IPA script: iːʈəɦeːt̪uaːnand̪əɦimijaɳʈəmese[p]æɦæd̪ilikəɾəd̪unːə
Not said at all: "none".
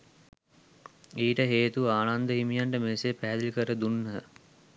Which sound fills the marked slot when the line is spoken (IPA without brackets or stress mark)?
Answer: p